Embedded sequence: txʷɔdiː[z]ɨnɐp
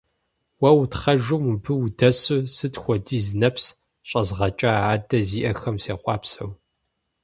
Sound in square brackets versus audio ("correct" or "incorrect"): correct